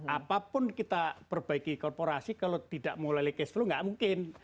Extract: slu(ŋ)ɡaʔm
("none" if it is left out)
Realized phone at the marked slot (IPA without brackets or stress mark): ŋ